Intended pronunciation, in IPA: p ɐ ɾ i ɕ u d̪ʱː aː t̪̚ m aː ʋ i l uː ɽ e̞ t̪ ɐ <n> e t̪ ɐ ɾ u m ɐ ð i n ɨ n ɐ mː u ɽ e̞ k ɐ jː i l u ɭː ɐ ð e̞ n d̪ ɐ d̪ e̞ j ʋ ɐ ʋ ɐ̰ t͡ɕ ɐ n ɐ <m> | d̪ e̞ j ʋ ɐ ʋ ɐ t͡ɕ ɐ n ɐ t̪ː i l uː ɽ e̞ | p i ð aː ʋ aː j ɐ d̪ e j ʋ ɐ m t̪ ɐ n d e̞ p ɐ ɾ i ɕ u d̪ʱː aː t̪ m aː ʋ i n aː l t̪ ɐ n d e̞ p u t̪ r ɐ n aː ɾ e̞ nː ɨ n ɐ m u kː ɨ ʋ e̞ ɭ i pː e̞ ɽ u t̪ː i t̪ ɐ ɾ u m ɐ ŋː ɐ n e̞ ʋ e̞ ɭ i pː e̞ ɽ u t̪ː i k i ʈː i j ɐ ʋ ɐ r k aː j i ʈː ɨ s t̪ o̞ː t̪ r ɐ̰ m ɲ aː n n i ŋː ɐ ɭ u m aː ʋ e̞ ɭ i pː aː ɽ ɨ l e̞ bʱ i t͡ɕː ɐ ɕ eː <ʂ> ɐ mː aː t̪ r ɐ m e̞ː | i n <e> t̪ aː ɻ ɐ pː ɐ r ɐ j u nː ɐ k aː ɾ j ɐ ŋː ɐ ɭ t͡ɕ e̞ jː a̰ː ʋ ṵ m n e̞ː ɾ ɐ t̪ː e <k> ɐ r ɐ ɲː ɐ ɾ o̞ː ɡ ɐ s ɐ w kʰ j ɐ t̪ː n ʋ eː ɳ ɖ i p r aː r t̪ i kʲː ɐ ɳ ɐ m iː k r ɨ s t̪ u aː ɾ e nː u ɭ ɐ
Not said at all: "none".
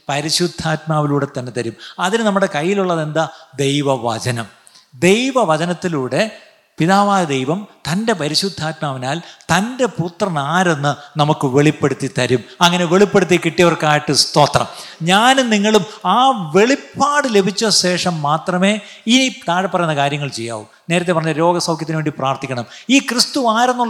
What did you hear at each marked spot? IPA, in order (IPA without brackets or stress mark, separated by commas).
nː, m, ʂ, i, p